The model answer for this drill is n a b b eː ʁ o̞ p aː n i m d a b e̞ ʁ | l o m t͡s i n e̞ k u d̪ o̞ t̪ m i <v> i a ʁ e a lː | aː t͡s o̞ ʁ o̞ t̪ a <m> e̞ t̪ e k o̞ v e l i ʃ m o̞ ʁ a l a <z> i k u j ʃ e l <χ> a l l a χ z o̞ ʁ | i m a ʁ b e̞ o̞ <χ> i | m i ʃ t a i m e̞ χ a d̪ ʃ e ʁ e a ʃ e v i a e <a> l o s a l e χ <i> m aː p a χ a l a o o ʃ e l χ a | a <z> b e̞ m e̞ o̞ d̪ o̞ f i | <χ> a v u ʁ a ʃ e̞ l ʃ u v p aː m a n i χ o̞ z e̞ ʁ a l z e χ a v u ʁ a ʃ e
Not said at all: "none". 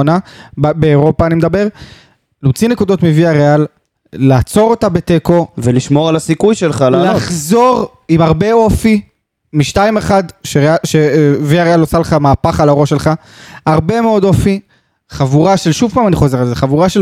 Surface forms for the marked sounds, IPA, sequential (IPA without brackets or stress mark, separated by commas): v, b, s, χ, f, a, a, ʁ, χ